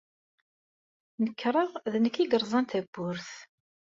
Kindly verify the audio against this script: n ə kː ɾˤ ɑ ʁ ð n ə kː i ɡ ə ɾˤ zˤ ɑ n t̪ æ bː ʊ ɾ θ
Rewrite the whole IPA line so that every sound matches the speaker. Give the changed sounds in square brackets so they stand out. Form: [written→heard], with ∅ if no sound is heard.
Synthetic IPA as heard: n ə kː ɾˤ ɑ ʁ ð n ə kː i ɡ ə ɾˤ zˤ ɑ n t̪ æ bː ʊ ɾ θ